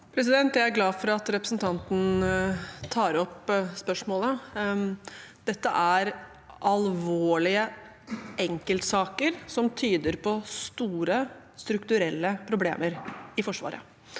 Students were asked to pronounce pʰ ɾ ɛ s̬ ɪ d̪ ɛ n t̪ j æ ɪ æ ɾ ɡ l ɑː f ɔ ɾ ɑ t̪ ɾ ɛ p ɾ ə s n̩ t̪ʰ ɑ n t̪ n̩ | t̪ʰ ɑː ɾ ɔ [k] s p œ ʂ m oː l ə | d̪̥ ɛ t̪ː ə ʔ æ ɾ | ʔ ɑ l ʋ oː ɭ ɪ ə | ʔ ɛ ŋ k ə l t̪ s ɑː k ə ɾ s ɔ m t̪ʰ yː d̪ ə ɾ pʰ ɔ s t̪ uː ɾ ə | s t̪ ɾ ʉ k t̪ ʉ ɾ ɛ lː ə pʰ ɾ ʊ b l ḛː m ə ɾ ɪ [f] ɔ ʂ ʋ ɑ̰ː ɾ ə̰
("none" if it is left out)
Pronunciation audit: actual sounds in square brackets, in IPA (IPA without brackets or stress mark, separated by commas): p, f